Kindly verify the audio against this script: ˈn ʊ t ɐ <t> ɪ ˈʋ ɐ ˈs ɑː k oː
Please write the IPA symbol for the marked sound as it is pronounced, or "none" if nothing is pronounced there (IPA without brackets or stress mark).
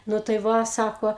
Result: none